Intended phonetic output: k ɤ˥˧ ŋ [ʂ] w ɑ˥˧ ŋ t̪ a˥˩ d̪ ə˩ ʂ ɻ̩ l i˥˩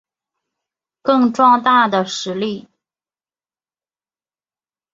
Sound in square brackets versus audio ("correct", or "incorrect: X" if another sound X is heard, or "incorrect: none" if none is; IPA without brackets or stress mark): incorrect: ʈ͡ʂ